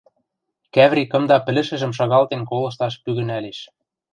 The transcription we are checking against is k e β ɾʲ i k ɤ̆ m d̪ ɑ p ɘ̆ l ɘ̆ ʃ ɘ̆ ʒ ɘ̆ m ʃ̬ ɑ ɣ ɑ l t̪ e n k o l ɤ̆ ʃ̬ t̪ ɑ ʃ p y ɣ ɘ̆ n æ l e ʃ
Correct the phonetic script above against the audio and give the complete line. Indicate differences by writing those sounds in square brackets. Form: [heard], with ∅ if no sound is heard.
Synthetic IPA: k [æ] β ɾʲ i k ɤ̆ m d̪ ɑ p ɘ̆ l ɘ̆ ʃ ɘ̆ ʒ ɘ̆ m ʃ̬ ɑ ɣ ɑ l t̪ e n k o l ɤ̆ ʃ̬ t̪ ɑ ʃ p y ɣ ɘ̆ n æ l e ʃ